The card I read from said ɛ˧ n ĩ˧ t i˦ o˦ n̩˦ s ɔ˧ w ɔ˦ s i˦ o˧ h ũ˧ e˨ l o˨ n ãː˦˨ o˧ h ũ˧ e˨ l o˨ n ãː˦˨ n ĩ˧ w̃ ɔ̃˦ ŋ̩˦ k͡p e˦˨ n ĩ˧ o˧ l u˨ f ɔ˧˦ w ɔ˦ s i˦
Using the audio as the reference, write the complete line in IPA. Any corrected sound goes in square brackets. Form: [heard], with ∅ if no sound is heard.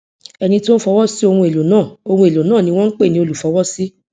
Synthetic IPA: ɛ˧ n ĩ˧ t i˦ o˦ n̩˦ [f] ɔ˧ w ɔ˦ s i˦ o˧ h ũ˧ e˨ l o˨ n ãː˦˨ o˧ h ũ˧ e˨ l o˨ n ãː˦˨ n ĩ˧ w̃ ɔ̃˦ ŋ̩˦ k͡p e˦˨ n ĩ˧ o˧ l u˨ f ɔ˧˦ w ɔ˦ s i˦